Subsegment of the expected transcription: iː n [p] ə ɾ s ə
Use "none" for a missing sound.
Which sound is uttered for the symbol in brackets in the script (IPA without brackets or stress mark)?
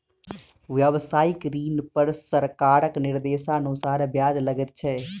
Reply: p